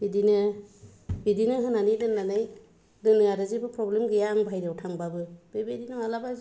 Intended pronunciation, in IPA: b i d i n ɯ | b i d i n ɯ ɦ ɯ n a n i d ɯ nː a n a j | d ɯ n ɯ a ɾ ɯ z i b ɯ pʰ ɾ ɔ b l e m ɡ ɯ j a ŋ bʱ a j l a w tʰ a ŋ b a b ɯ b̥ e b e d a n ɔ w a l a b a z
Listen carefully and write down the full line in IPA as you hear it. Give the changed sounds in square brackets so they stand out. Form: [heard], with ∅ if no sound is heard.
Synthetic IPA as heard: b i d i n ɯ | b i d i n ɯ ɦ ɯ n a n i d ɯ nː a n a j | d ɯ n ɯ a ɾ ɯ z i b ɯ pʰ ɾ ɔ b l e m ɡ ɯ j a ŋ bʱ a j [ɾ] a w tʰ a ŋ b a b ɯ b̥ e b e d [i] n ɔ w a l a b a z